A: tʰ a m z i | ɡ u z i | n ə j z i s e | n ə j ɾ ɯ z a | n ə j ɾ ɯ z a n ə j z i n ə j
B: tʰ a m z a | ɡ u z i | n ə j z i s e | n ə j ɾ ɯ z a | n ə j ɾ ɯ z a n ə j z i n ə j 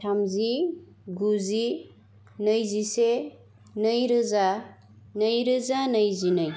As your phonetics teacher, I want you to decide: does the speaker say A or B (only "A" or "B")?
A